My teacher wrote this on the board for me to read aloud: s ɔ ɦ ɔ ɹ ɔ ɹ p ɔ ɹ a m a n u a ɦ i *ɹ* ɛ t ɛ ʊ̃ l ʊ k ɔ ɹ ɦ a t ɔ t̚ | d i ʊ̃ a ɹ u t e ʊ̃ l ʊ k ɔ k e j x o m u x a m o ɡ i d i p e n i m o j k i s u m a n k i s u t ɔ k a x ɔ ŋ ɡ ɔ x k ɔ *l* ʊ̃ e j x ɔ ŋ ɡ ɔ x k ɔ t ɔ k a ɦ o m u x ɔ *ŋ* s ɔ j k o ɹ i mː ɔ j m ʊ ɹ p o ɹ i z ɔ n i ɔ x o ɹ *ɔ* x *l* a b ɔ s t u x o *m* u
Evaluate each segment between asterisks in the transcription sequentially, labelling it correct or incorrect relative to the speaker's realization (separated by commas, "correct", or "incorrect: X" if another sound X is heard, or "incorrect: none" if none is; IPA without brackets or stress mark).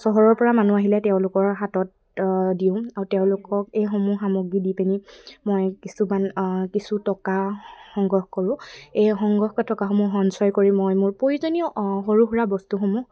incorrect: l, incorrect: ɹ, incorrect: n, incorrect: u, incorrect: ɹ, correct